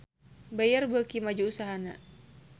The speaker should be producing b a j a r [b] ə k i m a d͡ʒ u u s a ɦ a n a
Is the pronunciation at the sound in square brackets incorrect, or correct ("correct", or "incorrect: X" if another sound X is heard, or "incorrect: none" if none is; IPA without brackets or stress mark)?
correct